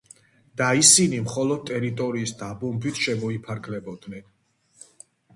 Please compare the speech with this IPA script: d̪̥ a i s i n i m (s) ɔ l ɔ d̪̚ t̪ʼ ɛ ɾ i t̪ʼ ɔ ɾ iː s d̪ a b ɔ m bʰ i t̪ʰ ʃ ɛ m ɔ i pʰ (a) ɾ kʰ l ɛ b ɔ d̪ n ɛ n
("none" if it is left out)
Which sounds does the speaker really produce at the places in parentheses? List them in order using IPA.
χ, a

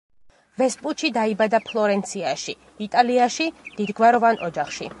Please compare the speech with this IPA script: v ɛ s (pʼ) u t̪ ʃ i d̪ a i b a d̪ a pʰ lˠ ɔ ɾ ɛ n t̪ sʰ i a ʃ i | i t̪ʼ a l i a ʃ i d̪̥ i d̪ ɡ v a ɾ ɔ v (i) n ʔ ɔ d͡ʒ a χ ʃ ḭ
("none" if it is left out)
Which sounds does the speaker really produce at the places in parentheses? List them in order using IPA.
pʼ, a

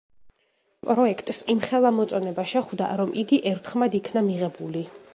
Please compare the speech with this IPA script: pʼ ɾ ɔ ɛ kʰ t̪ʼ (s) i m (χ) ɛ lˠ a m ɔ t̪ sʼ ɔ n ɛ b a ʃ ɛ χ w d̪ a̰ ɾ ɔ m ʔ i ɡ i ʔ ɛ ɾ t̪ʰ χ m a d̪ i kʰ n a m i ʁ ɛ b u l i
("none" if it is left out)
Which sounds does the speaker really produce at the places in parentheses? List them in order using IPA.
s, χ

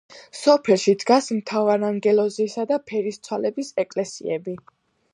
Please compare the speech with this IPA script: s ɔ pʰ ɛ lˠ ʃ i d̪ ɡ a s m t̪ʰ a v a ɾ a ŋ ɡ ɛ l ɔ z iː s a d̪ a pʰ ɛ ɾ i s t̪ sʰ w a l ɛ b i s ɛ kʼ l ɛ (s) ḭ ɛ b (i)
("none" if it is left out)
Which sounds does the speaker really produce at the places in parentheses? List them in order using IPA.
s, i

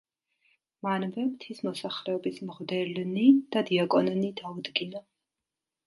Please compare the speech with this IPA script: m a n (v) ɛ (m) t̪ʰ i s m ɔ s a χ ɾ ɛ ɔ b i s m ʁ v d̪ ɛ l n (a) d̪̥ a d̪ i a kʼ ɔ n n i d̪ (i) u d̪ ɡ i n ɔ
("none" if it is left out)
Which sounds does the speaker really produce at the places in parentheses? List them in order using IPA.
v, m, i, a

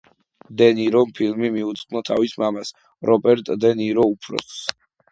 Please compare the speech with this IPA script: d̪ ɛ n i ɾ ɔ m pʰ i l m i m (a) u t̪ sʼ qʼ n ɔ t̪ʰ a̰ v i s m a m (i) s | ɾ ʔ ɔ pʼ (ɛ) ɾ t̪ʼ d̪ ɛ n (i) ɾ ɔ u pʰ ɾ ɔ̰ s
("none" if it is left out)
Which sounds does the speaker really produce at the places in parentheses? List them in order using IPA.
i, a, ɛ, i

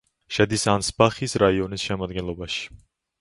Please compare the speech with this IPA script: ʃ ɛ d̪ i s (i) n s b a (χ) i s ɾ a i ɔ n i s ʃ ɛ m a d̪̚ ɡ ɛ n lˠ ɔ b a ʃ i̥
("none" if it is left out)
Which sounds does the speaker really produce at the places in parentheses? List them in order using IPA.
a, χ

